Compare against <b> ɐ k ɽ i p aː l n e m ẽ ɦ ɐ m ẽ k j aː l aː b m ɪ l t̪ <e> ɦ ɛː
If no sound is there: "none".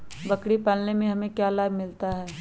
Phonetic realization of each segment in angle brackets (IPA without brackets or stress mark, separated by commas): b, a